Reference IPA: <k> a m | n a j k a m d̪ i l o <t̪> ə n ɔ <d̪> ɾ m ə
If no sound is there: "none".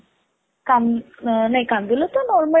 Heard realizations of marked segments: k, t̪, none

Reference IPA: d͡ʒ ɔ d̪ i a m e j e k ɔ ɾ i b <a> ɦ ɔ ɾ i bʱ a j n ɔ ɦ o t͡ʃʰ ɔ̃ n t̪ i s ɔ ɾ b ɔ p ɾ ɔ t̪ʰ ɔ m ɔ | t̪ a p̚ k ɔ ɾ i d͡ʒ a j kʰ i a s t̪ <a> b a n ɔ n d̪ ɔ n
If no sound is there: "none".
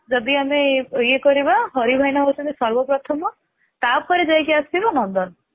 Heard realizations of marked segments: a, i

